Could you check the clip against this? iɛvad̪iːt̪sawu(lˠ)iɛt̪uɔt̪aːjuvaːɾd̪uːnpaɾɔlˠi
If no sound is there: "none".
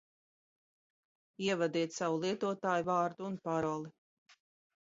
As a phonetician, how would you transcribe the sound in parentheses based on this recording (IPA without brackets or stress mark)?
lˠ